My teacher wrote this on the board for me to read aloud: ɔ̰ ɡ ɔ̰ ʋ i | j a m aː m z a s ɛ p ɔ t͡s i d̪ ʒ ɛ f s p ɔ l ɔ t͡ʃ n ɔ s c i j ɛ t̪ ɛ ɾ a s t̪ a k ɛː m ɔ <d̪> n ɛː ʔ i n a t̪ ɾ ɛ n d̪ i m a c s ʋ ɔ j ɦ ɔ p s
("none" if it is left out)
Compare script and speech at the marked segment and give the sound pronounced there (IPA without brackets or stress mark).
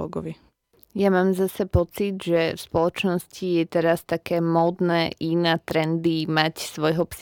d̪